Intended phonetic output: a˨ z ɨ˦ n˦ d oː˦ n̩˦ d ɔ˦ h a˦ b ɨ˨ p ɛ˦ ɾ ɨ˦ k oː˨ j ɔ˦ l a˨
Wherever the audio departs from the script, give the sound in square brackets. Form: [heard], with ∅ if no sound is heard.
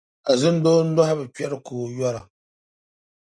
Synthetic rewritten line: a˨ z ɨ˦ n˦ d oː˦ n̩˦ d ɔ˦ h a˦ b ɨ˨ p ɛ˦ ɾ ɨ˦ k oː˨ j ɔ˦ [ɾ] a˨